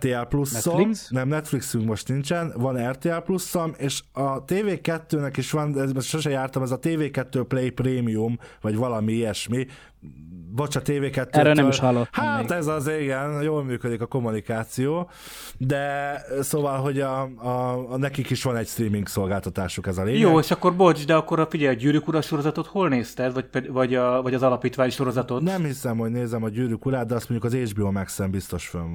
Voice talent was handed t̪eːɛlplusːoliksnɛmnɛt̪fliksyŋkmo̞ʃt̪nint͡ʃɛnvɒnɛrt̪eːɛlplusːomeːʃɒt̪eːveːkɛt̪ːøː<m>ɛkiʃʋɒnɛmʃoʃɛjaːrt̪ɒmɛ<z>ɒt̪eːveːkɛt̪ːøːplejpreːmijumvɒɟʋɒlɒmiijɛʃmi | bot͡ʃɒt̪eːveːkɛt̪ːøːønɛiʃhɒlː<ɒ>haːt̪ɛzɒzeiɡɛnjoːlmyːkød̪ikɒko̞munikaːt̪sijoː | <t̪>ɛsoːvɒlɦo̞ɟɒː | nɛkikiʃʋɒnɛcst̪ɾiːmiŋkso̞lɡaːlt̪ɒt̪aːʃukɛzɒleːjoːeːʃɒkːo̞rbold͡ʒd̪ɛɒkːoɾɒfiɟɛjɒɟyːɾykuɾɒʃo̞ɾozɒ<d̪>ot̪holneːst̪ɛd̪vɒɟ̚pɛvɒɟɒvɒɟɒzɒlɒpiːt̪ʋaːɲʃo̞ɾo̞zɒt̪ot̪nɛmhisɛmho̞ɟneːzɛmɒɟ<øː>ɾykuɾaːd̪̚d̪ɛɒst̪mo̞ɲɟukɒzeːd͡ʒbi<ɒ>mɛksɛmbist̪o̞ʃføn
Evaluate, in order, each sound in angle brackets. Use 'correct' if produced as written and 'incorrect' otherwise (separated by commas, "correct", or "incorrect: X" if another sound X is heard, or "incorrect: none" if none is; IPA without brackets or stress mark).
incorrect: n, correct, incorrect: o, incorrect: d̪, incorrect: t̪, incorrect: yː, incorrect: o